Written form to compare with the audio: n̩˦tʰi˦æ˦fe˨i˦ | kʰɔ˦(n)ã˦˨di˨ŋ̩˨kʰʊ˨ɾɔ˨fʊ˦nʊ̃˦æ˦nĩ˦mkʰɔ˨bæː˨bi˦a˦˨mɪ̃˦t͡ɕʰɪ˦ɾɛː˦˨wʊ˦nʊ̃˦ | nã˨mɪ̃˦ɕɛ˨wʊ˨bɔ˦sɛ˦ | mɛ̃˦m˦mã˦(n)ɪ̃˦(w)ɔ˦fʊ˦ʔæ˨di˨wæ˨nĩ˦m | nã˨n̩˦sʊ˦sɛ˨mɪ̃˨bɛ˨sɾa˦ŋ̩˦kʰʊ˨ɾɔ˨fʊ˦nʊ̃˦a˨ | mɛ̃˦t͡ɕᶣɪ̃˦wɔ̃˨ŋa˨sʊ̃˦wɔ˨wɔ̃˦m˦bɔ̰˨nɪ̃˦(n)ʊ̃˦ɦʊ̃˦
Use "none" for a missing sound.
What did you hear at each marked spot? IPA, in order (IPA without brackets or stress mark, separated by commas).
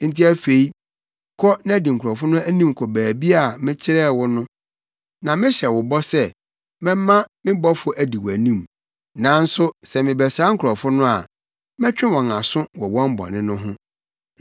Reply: n, m, b, n